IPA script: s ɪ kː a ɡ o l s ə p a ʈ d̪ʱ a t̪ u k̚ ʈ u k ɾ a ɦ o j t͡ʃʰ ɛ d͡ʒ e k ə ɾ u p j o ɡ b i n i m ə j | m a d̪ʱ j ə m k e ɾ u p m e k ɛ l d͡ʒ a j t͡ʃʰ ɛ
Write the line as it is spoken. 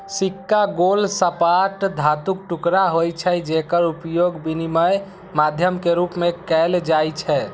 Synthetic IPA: s i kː a ɡ o l s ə p a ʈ d̪ʱ a t̪ u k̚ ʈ u k ɾ a ɦ o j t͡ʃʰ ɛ d͡ʒ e k ə ɾ u p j o ɡ b i n i m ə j | m a d̪ʱ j ə m k e ɾ u p m e k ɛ l d͡ʒ a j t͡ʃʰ ɛ

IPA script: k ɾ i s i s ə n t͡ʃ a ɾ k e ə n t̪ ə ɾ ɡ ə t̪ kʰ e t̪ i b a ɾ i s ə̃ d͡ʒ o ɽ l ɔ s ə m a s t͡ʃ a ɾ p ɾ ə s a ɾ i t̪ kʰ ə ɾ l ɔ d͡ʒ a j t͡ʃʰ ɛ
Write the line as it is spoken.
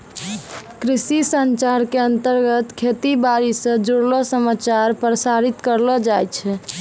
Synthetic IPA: k ɾ i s i s ə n t͡ʃ a ɾ k e ə n t̪ ə ɾ ɡ ə t̪ kʰ e t̪ i b a ɾ i s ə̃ d͡ʒ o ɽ l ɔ s ə m a t͡ʃ a ɾ p ɾ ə s a ɾ i t̪ k ə ɾ l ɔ d͡ʒ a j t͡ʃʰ ɛ

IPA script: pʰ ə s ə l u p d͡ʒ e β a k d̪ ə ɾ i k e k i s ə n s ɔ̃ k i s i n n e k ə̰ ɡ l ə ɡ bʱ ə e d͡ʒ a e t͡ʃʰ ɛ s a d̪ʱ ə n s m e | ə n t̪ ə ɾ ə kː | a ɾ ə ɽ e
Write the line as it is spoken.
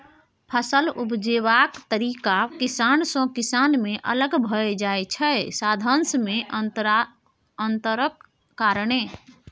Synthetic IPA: pʰ ə s ə l u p d͡ʒ e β a k t̪ ə ɾ i k a k i s a n s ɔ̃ k i s a n m e ʔ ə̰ l ə ɡ bʱ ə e d͡ʒ a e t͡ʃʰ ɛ s a d̪ʱ ə n s m e | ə n t̪ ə ɾ ə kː | a ɾ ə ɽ e

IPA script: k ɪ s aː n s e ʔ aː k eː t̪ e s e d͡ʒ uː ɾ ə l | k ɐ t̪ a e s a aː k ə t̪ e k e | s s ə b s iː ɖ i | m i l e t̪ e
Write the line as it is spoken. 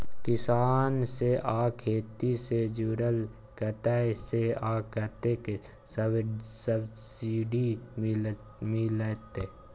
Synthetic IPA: k ɪ s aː n s e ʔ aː kʰ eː t̪ i s e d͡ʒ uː ɾ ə l | k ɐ t̪ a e s e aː k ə t̪ e k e | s s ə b s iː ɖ i | m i l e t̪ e

